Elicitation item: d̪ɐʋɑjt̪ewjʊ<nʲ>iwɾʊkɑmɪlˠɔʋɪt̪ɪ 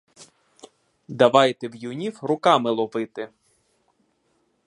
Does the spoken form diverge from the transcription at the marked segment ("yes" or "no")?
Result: no